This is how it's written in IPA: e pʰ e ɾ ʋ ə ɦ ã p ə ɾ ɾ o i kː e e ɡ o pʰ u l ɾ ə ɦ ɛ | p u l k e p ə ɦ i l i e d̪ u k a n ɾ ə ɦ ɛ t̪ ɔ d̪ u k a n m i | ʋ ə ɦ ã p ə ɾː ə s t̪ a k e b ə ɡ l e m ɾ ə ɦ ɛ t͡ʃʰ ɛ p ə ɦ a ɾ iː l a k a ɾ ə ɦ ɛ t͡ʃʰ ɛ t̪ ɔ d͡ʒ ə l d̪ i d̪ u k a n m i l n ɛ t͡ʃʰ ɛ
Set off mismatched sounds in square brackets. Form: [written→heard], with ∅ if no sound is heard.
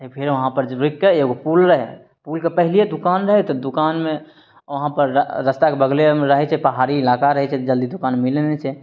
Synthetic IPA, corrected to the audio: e pʰ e ɾ ʋ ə ɦ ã p ə ɾ ɾ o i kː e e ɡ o [pʰ→p] u l ɾ ə ɦ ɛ | p u l k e p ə ɦ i l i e d̪ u k a n ɾ ə ɦ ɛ t̪ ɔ d̪ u k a n m [i→e] | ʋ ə ɦ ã p ə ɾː ə s t̪ a k e b ə ɡ l e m ɾ ə ɦ ɛ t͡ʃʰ ɛ p ə ɦ a ɾ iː l a k a ɾ ə ɦ ɛ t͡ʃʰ ɛ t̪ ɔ d͡ʒ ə l d̪ i d̪ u k a n m i l n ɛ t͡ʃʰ ɛ